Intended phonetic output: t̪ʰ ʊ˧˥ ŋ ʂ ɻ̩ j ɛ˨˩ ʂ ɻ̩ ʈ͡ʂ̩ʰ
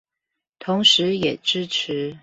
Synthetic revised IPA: t̪ʰ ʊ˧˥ ŋ ʂ ɻ̩ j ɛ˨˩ ʈ͡ʂ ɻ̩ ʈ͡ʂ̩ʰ